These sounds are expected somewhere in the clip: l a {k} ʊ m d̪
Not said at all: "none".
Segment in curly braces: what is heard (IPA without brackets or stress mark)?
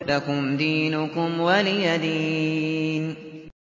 k